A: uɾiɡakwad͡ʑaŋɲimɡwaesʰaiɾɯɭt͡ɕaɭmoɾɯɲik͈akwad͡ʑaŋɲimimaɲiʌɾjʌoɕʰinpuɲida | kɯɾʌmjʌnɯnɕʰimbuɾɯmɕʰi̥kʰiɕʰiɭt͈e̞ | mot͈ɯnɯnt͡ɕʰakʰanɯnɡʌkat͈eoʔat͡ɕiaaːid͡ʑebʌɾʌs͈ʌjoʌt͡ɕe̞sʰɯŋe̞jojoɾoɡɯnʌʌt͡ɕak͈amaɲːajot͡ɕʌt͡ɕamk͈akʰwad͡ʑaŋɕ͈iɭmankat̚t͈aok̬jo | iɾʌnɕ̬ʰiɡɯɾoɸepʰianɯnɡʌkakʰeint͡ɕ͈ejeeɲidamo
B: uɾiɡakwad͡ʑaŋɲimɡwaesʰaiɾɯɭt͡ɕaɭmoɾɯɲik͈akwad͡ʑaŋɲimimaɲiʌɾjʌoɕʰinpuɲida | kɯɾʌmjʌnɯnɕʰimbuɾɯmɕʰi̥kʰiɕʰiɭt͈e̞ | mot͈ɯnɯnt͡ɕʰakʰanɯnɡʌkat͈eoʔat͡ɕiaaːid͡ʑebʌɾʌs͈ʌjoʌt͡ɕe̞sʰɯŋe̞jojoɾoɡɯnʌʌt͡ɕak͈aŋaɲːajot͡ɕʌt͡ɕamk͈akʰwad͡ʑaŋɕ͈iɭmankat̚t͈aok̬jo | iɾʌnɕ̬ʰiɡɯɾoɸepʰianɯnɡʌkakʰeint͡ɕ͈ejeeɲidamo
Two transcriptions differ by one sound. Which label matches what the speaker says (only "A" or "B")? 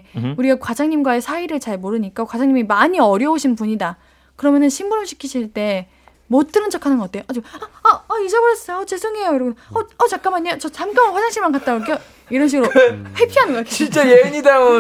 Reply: A